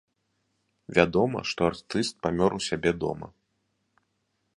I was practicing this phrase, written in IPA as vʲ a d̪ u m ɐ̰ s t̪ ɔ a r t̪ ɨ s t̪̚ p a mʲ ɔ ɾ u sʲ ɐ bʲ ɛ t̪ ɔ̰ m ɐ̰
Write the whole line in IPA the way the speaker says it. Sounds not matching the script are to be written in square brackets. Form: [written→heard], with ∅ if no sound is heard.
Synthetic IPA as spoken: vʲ a d̪ [u→ɔ] m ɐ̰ [s→ʂ] t̪ ɔ a r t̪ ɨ s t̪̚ p a mʲ ɔ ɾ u sʲ [ɐ→a] bʲ ɛ [t̪→d̪] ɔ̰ m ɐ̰